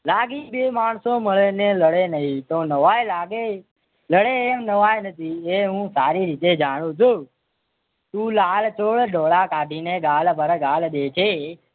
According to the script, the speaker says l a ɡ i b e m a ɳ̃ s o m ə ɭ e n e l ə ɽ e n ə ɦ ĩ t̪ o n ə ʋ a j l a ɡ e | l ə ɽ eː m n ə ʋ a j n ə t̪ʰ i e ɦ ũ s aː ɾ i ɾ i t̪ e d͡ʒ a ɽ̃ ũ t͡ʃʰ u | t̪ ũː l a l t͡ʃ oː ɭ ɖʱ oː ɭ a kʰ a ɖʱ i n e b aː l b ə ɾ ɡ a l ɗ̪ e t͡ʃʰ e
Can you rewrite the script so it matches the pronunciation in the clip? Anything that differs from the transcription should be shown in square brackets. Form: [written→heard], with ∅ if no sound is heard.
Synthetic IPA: l a ɡ i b e m a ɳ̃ s o m ə ɭ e n e l ə ɽ e n ə ɦ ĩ t̪ o n ə ʋ a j l a ɡ e | l ə ɽ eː m n ə ʋ a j n ə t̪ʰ i e ɦ ũ s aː ɾ i ɾ i t̪ e d͡ʒ a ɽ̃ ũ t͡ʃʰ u | t̪ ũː l a l t͡ʃ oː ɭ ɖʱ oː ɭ a [kʰ→k] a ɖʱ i n e [b→ɡ] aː l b ə ɾ ɡ a l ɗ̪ e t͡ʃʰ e